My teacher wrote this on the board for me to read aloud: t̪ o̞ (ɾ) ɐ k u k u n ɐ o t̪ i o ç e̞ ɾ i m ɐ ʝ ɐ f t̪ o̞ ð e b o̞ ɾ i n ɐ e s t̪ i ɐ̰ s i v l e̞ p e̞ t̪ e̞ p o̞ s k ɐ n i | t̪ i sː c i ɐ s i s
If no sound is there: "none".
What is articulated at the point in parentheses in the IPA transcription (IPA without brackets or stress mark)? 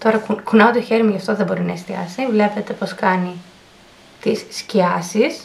ɾ